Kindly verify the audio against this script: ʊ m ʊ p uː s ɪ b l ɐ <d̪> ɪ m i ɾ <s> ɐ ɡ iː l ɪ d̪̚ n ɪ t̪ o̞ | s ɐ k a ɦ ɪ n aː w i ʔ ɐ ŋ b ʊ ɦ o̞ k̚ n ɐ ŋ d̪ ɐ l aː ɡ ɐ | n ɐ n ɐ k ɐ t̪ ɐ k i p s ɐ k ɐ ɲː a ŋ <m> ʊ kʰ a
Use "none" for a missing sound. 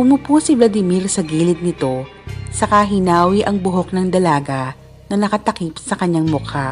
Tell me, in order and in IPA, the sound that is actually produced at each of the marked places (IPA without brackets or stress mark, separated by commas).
d̪, s, m